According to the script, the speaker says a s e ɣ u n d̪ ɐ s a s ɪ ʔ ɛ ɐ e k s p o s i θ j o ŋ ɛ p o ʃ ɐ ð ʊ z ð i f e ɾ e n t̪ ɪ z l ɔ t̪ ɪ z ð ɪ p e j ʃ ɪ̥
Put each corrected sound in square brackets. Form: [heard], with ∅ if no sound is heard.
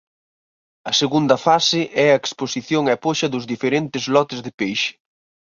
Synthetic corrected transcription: [ɐ] s e ɣ u n d̪ ɐ [f] a s ɪ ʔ ɛ ɐ e k s p o s i θ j o ŋ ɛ p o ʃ ɐ ð ʊ z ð i f e ɾ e n t̪ ɪ z l ɔ t̪ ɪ z ð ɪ p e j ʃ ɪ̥